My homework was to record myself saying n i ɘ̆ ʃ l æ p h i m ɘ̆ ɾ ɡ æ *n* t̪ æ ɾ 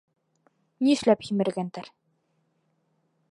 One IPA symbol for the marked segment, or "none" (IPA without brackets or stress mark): n